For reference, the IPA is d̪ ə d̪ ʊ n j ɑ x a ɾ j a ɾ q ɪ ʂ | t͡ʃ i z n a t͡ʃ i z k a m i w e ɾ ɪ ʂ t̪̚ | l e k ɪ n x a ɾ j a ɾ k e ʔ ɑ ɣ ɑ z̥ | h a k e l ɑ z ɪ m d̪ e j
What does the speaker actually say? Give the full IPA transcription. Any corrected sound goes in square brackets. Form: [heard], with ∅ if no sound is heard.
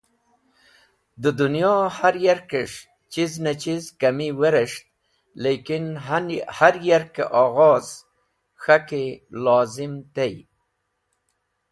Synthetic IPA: d̪ ə d̪ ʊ n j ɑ [h] a ɾ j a ɾ [k] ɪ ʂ | t͡ʃ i z n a t͡ʃ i z k a m i w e ɾ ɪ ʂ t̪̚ | l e k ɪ n [h] a ɾ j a ɾ k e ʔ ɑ ɣ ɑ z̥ | [x] a k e l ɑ z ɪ m [t̪] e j